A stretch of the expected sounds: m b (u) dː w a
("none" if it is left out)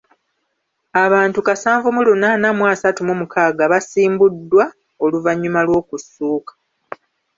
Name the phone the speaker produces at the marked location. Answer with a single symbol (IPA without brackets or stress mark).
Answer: u